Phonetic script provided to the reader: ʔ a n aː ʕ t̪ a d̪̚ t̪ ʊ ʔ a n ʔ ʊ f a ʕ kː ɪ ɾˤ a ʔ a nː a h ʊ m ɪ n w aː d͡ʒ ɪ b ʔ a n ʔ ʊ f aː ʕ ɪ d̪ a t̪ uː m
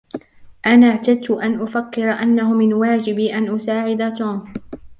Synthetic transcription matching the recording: ʔ a n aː ʕ t̪ a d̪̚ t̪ ʊ ʔ a n ʔ ʊ f a kː ɪ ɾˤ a ʔ a nː a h ʊ m ɪ n w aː d͡ʒ ɪ b ʔ a n ʔ ʊ s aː ʕ ɪ d̪ a t̪ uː m